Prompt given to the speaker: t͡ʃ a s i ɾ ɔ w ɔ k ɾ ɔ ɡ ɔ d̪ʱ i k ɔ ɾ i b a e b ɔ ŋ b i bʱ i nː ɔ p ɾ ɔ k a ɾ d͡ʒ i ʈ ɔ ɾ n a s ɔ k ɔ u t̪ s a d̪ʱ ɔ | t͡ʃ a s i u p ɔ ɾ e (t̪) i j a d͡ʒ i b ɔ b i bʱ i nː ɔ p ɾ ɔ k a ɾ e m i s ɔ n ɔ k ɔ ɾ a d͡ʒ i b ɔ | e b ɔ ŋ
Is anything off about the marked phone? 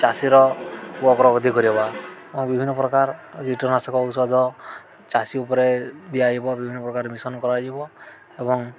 yes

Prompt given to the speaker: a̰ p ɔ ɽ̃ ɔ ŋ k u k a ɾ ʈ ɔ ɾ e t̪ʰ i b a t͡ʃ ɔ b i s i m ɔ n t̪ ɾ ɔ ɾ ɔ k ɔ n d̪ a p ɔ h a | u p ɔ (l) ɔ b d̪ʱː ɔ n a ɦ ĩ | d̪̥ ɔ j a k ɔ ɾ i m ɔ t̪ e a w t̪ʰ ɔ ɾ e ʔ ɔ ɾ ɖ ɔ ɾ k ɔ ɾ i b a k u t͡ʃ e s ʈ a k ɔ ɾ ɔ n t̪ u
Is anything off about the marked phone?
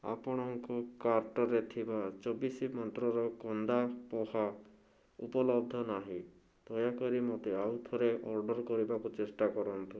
no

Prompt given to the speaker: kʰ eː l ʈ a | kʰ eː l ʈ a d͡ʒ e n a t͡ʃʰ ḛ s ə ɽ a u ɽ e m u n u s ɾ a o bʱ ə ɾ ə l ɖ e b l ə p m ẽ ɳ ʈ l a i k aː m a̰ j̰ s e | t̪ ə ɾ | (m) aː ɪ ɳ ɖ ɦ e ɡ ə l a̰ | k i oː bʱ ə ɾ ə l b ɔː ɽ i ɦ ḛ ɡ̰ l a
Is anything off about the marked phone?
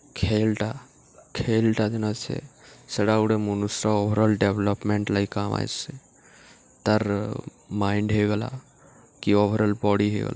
no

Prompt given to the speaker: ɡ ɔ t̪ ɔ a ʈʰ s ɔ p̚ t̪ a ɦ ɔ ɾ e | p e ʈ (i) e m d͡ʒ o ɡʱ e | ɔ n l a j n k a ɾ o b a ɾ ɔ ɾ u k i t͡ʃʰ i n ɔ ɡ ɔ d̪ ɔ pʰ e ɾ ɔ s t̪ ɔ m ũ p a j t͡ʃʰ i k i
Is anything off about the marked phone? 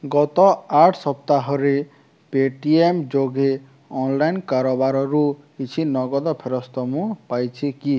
no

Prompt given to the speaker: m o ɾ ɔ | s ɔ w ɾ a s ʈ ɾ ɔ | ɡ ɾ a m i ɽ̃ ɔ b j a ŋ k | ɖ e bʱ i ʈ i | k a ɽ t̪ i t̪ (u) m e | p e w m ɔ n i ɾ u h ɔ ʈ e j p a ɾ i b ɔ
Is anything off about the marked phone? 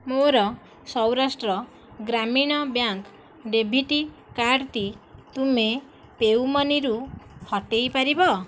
no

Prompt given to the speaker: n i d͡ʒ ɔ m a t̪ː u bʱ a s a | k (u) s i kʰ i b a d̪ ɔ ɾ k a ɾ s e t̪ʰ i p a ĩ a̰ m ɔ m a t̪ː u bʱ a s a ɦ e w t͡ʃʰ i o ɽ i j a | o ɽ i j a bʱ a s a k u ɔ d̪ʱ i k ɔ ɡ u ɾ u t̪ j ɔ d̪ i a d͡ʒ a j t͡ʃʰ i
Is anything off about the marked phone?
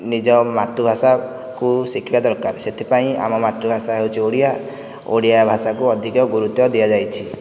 no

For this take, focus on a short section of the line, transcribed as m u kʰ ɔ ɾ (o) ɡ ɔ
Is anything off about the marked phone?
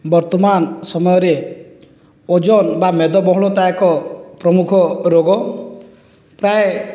no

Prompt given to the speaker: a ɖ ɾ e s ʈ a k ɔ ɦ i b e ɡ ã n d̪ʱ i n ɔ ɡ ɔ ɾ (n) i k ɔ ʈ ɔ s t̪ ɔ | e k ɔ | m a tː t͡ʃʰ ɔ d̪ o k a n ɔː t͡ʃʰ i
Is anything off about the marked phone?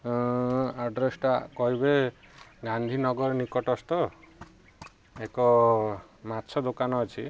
no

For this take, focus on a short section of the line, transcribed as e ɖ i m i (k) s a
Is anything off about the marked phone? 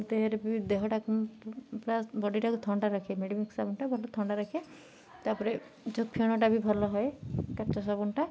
no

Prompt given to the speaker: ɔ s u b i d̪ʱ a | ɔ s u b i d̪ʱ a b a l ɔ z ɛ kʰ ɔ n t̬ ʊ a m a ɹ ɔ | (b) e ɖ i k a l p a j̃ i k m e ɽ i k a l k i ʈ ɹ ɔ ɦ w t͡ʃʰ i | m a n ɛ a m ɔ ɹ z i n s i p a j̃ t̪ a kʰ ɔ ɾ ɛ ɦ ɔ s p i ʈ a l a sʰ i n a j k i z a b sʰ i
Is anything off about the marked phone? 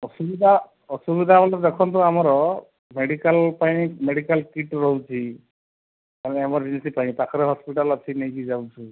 yes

